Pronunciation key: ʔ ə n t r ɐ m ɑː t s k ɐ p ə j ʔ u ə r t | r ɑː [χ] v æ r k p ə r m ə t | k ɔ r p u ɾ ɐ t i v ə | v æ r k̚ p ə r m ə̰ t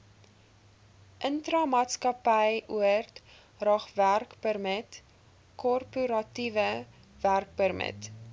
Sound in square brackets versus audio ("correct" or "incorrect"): correct